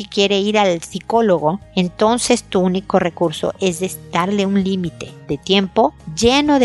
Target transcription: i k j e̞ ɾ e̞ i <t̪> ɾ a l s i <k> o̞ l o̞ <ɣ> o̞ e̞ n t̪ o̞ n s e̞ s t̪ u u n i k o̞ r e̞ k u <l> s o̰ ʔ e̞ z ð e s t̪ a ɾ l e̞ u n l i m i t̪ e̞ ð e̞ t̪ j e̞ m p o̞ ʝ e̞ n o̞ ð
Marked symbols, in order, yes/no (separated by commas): no, yes, yes, no